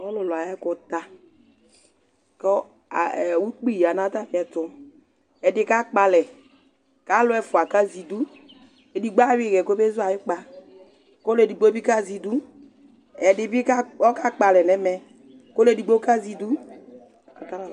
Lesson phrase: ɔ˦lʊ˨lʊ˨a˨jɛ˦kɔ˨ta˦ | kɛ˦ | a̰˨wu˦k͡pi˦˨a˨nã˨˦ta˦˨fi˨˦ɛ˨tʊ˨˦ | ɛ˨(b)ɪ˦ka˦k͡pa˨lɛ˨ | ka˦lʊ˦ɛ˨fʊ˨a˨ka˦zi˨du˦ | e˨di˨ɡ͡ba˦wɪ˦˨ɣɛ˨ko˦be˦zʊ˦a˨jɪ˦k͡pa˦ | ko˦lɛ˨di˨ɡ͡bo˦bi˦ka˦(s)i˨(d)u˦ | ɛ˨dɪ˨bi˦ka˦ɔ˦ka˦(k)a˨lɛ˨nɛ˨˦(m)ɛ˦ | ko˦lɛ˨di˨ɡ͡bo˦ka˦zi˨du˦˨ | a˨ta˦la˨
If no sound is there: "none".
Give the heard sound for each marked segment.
d, z, d, k͡p, m

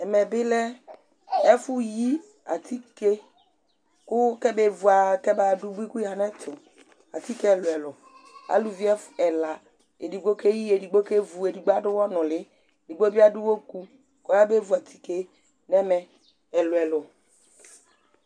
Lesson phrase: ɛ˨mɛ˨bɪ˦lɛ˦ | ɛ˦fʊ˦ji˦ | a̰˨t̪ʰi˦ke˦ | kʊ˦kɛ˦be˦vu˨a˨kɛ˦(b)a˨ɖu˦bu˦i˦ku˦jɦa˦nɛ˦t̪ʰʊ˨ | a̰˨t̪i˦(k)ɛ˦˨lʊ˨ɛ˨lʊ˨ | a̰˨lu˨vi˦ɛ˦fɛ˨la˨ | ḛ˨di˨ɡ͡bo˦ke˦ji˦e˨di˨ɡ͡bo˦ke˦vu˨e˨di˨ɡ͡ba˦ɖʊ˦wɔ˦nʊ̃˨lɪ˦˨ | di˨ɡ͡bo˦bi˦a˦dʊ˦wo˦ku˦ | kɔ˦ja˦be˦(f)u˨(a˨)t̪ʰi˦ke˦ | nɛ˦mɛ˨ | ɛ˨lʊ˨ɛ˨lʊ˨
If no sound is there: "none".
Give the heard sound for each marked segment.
b, k, v, a˨

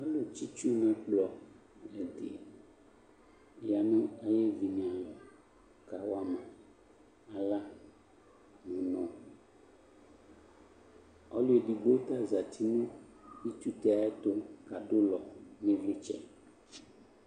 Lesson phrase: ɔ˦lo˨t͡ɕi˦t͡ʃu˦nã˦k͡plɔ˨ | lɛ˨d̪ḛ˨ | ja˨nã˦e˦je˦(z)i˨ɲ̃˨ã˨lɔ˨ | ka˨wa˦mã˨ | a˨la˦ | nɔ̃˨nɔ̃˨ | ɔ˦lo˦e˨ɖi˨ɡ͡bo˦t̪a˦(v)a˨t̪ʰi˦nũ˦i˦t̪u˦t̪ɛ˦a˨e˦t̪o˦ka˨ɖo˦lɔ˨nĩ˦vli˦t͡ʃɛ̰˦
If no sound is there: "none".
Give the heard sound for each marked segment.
v, z

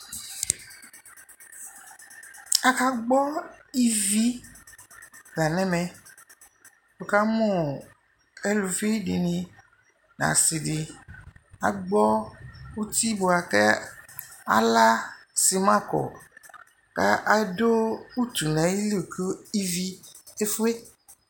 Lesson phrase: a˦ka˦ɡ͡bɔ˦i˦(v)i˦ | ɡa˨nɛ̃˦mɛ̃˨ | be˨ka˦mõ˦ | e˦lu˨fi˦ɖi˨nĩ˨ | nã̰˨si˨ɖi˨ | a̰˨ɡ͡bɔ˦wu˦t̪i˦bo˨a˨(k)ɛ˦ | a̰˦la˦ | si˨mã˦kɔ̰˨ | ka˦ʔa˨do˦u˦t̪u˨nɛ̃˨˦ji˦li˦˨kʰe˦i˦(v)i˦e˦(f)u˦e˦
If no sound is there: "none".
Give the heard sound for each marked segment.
v, k, v, f

